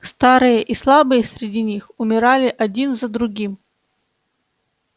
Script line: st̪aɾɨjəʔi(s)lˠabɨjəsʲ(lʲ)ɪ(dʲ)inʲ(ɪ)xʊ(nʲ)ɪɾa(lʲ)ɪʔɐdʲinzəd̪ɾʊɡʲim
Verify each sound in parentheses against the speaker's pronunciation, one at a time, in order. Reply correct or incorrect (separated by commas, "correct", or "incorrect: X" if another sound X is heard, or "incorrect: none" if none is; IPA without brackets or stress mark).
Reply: correct, incorrect: ɾʲ, correct, incorrect: i, incorrect: mʲ, correct